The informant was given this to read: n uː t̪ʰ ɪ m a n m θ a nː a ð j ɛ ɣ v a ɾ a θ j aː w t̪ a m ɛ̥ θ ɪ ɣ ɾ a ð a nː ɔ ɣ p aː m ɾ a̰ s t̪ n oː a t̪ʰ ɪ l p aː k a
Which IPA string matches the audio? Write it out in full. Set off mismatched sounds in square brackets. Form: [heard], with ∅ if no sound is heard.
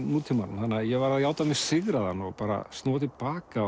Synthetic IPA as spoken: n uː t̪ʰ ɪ m a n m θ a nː a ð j ɛ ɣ v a ɾ a [ð] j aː w t̪ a m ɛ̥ [s] ɪ ɣ ɾ a ð a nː ɔ ɣ p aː [∅] ɾ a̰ s t̪ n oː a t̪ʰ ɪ l p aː k a